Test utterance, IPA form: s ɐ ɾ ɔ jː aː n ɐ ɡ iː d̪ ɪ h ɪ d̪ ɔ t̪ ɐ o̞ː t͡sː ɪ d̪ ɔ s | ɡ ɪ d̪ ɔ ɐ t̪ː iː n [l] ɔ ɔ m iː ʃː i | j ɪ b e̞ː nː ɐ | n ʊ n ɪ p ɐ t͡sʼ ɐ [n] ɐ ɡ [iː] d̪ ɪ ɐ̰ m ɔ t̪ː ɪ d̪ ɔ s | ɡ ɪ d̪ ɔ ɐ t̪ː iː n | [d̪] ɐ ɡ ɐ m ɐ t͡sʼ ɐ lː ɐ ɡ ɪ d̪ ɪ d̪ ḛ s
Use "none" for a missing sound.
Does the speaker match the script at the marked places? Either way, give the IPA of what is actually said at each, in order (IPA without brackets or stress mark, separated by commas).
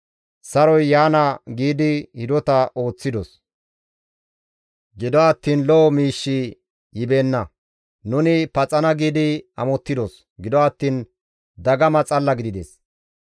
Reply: l, n, iː, d̪